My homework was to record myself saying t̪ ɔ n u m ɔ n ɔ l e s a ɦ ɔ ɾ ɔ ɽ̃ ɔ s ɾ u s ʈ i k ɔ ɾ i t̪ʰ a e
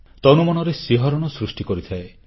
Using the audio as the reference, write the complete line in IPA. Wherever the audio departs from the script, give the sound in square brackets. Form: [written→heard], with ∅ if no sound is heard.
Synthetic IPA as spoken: t̪ ɔ n u m ɔ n ɔ [l→ɾ] e s [a→i] ɦ ɔ ɾ ɔ ɽ̃ ɔ s ɾ u s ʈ i k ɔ ɾ i t̪ʰ a e